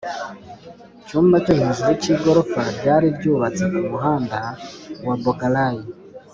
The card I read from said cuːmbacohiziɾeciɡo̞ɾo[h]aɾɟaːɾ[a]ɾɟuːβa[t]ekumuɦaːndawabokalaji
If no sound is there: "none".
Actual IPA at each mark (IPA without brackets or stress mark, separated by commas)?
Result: f, i, t͡s